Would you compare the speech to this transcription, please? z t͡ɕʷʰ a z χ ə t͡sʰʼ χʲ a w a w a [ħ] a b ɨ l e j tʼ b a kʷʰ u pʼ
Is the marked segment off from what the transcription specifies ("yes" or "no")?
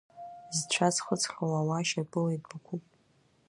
yes